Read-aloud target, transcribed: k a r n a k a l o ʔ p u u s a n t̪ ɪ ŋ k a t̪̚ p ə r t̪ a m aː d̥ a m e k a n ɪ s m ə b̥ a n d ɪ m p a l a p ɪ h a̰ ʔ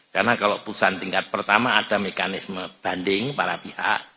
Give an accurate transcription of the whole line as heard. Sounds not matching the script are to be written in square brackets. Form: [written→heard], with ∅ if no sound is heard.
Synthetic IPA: k a r n a k a l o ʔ p u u s a n t̪ [ɪ→i] ŋ k a t̪̚ p ə r t̪ a m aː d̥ a m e k a n ɪ s m ə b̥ a n d ɪ [m→ŋ] p a [l→ɾ] a p [ɪ→i] h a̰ ʔ